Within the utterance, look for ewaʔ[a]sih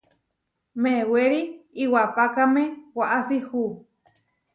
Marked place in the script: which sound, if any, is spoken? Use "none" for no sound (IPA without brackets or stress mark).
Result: a